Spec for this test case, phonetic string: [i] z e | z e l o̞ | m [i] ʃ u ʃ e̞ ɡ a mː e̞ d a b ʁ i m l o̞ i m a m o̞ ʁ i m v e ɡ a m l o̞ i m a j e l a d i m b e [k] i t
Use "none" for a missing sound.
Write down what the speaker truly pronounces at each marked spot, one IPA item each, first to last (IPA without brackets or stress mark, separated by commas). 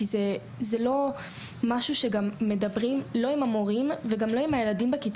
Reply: i, a, k